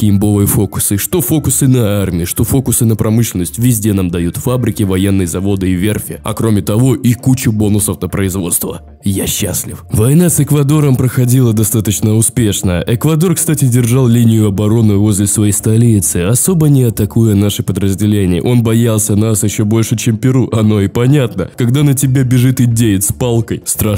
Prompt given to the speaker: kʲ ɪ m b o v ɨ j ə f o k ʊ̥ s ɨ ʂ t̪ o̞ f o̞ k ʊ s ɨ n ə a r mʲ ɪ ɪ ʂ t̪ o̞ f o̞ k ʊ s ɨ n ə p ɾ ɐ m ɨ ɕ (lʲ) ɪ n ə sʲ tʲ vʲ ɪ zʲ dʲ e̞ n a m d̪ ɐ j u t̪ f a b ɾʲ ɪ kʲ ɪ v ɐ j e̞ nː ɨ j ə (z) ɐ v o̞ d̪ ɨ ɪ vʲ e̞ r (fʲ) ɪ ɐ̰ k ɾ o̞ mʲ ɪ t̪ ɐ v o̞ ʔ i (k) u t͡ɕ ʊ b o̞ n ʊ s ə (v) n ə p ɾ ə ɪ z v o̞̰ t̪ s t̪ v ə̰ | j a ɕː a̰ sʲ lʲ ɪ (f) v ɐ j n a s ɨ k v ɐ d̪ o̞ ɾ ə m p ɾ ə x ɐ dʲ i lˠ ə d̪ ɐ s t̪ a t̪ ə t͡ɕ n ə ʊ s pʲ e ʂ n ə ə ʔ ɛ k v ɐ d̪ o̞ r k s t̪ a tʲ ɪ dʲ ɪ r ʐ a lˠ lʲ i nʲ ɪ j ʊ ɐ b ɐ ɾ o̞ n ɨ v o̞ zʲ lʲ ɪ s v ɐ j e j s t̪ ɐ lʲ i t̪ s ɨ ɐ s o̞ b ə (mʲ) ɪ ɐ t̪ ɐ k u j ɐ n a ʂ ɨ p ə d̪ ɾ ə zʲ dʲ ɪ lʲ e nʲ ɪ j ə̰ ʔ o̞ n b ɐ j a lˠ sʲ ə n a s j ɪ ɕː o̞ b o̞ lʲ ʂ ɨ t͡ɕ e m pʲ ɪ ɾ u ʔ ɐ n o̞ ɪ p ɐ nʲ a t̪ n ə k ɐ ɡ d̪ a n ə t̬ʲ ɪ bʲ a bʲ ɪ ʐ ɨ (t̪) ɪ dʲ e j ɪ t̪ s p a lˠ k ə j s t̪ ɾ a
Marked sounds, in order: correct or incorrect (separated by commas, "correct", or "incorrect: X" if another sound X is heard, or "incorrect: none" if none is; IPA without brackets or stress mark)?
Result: correct, correct, correct, correct, incorrect: f, correct, incorrect: nʲ, correct